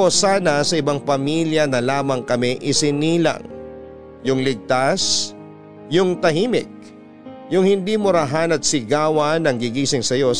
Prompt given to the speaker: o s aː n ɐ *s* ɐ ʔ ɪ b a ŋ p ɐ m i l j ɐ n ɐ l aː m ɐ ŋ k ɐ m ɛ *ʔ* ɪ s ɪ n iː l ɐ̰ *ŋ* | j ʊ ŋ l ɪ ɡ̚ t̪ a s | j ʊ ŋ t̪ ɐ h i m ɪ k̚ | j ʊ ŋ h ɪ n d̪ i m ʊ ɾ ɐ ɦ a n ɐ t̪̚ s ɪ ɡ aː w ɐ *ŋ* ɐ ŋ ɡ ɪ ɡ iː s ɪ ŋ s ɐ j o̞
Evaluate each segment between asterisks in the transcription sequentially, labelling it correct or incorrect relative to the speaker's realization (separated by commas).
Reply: correct, correct, correct, incorrect